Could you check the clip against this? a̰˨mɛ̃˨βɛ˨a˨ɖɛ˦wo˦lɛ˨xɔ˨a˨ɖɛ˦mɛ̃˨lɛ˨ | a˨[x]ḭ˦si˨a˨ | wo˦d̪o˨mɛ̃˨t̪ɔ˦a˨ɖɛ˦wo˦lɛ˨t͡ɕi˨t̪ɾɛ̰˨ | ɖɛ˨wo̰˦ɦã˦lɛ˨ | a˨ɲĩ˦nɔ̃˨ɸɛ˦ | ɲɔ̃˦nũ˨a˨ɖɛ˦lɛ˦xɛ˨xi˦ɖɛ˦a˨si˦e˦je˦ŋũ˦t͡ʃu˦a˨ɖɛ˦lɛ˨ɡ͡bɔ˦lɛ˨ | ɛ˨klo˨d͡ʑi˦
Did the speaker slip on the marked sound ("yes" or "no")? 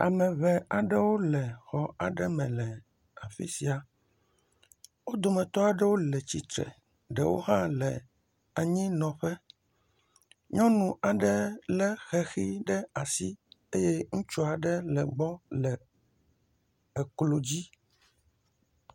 yes